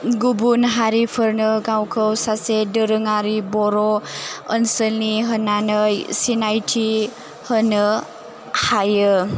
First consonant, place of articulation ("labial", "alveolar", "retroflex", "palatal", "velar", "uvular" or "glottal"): velar